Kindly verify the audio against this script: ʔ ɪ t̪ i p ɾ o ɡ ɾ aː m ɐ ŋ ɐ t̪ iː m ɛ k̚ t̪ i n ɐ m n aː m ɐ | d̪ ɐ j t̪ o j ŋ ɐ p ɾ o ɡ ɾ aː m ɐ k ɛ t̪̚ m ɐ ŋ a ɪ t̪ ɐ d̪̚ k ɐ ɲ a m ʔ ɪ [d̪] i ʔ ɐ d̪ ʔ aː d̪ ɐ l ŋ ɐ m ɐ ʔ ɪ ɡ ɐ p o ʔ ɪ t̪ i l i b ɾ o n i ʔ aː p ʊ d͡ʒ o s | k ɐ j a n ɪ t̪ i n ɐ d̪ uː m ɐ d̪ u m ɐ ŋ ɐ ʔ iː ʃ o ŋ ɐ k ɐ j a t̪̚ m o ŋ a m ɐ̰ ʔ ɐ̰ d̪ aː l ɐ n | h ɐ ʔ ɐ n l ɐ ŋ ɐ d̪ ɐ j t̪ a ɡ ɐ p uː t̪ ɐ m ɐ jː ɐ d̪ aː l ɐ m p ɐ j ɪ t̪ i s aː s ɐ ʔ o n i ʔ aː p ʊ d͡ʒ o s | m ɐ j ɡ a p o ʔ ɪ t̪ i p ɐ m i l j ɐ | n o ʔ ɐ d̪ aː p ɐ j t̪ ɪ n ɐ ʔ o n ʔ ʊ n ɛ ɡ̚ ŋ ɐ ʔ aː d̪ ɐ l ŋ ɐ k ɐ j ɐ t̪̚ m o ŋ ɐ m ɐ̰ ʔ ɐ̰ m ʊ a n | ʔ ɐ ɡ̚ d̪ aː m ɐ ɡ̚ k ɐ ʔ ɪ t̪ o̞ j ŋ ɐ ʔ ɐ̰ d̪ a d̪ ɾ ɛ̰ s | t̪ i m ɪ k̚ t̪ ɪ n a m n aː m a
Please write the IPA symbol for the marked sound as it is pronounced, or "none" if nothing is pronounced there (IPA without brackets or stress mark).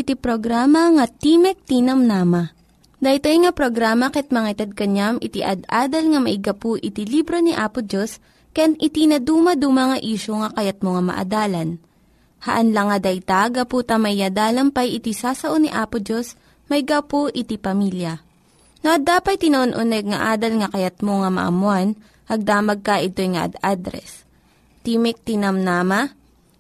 t̪